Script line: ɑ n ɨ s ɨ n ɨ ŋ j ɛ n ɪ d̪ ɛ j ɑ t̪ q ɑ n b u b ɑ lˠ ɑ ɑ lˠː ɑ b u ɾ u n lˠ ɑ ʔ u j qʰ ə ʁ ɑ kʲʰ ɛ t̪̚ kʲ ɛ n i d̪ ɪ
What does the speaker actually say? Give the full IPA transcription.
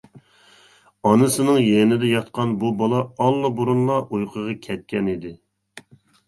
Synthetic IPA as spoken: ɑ n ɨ s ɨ n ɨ ŋ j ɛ n ɪ d̪ ɛ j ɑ t̪ q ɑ n b u b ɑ lˠ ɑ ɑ lˠː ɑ b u ɾ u n lˠ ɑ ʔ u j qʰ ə ʁ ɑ kʲʰ ɛ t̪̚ kʲ ɛ n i d̪ ɪ